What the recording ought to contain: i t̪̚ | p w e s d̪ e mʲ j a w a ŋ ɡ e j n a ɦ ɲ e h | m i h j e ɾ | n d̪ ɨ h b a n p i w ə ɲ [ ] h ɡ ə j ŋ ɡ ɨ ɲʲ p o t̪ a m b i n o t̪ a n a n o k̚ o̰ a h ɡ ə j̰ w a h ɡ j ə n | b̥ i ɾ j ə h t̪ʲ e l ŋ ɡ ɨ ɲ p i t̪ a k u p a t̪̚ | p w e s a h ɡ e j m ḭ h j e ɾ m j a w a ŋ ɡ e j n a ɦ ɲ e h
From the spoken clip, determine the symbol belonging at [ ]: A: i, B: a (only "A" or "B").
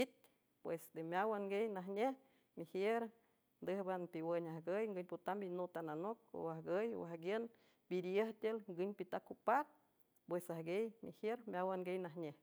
B